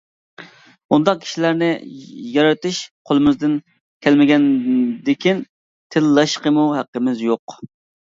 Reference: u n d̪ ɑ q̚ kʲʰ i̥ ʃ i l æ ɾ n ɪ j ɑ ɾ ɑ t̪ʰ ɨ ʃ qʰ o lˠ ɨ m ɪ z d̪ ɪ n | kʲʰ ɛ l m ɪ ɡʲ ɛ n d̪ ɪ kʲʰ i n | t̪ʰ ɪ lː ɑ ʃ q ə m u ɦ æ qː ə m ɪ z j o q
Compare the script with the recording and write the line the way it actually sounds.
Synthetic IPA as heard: u n d̪ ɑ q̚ kʲʰ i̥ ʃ i l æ ɾ n ɪ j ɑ ɾ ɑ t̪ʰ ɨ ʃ qʰ o lˠ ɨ m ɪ z d̪ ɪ n | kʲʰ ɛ l m ɪ ɡʲ ɛ n d̪ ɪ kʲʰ i n | t̪ʰ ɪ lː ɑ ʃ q ə m u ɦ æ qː ə m ɪ z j o q